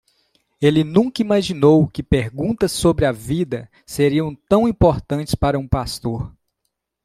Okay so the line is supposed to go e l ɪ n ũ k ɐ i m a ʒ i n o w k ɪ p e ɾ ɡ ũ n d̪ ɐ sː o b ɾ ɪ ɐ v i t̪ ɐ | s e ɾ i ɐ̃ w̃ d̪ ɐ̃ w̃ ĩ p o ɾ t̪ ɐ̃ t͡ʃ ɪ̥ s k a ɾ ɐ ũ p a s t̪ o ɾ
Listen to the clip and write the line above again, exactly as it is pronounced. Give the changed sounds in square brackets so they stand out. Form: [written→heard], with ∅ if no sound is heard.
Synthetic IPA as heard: e l ɪ n ũ k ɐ i m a ʒ i n o w k ɪ p e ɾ ɡ ũ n [d̪→t̪] ɐ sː o b ɾ ɪ ɐ v i [t̪→d̪] ɐ | s e ɾ i ɐ̃ w̃ [d̪→t̪] ɐ̃ w̃ ĩ p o ɾ t̪ ɐ̃ t͡ʃ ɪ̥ s [k→p] a ɾ ɐ ũ p a s t̪ o ɾ